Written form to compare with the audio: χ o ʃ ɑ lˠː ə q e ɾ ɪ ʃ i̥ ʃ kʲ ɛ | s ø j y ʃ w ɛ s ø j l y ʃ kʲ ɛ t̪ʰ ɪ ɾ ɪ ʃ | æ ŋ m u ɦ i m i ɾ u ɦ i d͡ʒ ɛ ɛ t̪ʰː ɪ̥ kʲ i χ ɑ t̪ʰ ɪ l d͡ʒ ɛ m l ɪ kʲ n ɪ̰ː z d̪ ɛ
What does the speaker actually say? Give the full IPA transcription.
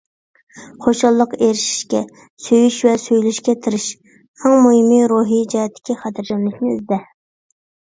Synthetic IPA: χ o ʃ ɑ lˠː ə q e ɾ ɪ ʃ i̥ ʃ kʲ ɛ | s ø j y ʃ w ɛ s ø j l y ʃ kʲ ɛ t̪ʰ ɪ ɾ ɪ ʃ | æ ŋ m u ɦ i m i ɾ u ɦ i d͡ʒ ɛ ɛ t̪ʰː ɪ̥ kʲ i χ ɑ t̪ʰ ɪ ɾ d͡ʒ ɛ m l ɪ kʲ n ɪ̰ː z d̪ ɛ